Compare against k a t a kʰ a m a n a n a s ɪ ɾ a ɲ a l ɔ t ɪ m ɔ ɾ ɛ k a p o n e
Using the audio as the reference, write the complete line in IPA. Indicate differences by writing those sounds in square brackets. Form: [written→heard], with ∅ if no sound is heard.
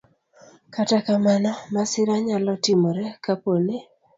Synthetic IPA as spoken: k a t a [kʰ→k] a m a n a [n→m] a s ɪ ɾ a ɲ a l ɔ t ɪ m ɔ ɾ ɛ k a p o n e

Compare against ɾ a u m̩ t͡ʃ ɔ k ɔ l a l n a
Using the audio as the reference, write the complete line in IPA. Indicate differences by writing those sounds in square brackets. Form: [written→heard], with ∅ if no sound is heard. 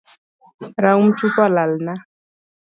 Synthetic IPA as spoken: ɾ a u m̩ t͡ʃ [ɔ→u] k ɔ l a l n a

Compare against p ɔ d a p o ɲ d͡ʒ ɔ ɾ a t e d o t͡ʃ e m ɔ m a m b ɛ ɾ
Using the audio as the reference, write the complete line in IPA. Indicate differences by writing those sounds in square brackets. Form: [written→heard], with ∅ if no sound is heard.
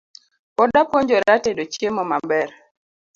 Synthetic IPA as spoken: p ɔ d a p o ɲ d͡ʒ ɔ ɾ a t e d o t͡ʃ e m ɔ m a m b ɛ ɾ

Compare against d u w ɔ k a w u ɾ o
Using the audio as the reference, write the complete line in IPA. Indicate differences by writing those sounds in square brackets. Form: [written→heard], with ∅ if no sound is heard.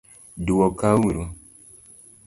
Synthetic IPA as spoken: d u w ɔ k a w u ɾ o

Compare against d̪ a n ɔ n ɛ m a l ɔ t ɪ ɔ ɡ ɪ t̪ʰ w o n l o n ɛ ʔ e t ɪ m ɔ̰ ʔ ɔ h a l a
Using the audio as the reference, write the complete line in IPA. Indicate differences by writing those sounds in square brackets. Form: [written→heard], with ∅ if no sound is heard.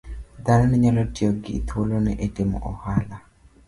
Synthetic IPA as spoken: d̪ a n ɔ n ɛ [m→ɲ] a l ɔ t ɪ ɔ ɡ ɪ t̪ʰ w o [n→∅] l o n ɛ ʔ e t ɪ m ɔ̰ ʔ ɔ h a l a

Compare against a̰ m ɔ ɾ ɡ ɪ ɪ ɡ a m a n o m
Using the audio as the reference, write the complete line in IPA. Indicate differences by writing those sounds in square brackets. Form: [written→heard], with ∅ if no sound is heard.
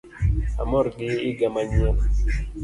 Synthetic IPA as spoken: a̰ m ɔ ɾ ɡ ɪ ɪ ɡ a m a [n→ɲ] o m

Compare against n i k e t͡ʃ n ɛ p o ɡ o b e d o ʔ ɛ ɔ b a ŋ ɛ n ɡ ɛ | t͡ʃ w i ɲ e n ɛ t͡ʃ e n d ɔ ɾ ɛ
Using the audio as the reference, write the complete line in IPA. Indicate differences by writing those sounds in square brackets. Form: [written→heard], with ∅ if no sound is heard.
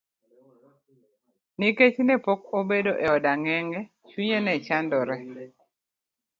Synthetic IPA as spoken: n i k e t͡ʃ n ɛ p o [ɡ→k] o b e d o ʔ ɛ ɔ [b→d] a ŋ ɛ [n→ŋ] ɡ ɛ | t͡ʃ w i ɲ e n ɛ t͡ʃ [e→a] n d ɔ ɾ ɛ

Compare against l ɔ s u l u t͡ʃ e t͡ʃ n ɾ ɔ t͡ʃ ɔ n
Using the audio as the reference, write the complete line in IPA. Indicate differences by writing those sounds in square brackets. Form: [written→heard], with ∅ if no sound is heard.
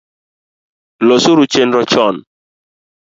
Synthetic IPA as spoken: l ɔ s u [l→ɾ] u t͡ʃ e [t͡ʃ→∅] n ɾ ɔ t͡ʃ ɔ n

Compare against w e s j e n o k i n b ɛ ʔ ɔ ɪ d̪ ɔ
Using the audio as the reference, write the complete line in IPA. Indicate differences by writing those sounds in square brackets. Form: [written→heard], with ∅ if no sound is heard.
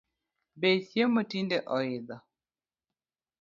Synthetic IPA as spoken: [w→b] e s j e [n→m] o [k→t] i n [b→d] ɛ ʔ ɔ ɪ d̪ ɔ

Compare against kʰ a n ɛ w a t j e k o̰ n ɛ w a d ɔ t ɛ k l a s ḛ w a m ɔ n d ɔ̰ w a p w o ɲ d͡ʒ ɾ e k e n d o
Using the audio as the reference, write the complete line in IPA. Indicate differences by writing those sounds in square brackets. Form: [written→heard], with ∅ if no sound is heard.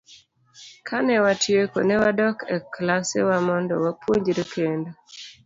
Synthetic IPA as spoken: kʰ a n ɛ w a t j e k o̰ n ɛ w a d ɔ [t→k] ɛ k l a s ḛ w a m ɔ n d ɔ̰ w a p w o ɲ d͡ʒ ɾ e k e n d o

